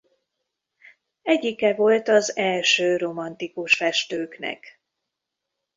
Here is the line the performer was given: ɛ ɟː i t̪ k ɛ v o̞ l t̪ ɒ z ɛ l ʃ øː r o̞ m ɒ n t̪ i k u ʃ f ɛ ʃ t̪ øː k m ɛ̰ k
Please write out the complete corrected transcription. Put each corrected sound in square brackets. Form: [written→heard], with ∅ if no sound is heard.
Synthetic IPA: ɛ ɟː i [t̪→∅] k ɛ v o̞ l t̪ ɒ z ɛ l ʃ øː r o̞ m ɒ n t̪ i k u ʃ f ɛ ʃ t̪ øː k [m→n] ɛ̰ k